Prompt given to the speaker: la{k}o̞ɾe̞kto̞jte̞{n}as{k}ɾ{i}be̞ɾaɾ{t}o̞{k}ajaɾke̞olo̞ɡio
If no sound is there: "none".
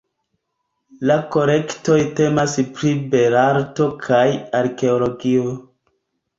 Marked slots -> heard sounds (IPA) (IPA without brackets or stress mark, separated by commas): k, m, p, i, t, kʰ